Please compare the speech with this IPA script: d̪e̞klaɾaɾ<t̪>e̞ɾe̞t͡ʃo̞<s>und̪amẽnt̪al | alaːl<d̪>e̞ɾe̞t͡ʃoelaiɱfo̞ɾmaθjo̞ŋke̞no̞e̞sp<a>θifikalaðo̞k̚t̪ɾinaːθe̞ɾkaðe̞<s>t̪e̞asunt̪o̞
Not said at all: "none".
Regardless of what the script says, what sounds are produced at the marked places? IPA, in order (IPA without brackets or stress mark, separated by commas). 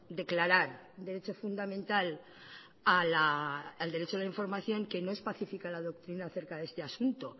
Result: d̪, f, d̪, a, s